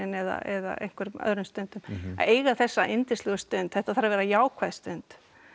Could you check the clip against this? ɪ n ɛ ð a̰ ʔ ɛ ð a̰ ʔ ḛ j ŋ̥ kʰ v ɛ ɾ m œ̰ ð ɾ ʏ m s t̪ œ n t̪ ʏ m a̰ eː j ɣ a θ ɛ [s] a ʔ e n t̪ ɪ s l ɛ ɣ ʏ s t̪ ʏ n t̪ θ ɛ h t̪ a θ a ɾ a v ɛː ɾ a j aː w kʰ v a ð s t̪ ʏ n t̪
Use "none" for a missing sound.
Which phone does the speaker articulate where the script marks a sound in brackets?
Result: sː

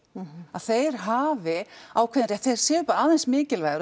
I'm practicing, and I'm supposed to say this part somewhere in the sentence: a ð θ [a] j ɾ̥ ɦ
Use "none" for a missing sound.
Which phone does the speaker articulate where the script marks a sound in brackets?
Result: e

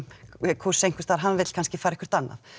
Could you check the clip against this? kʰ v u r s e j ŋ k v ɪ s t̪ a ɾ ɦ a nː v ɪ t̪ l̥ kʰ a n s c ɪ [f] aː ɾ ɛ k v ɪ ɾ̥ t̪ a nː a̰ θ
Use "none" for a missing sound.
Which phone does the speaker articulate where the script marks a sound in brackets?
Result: f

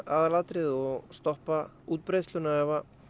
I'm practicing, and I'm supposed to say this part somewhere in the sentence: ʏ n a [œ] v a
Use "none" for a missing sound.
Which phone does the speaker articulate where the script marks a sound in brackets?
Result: ɛ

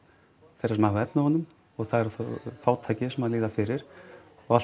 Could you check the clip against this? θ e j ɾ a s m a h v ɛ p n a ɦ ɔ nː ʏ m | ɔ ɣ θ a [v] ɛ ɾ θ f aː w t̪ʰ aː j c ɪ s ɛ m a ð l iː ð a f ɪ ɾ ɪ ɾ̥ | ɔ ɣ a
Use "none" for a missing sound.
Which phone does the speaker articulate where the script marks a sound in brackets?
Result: ð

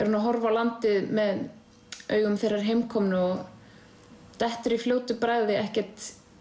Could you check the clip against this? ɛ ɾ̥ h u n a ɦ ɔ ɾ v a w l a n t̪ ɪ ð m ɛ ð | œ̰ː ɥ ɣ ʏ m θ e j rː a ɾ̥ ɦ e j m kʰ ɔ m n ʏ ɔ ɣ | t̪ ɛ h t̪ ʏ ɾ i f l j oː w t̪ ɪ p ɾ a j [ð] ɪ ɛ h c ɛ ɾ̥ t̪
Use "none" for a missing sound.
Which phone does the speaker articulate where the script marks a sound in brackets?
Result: ð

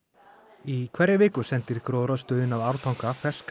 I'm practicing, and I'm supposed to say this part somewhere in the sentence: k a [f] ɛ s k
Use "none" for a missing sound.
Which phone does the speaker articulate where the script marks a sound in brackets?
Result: f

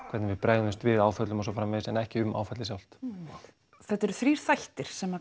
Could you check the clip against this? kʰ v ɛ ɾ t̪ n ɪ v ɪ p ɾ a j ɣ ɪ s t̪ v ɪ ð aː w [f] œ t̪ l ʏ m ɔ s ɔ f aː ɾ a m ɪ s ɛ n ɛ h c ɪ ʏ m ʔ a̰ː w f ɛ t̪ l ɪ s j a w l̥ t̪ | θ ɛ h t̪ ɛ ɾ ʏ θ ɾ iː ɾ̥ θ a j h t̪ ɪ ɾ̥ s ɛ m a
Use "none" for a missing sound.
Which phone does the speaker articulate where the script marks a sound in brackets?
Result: f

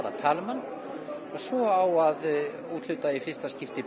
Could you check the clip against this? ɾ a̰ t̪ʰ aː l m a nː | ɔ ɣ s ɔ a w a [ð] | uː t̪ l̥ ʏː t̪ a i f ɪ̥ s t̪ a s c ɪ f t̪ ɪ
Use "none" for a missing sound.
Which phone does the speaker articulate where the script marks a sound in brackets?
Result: ð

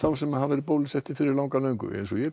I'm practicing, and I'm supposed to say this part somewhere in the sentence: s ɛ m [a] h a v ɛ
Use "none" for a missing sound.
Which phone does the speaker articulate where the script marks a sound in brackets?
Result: a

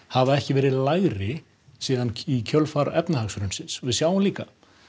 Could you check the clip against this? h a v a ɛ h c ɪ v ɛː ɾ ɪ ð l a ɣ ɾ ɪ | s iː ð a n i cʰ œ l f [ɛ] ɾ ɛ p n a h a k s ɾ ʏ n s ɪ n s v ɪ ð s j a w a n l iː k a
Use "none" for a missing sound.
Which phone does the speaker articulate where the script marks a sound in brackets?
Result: a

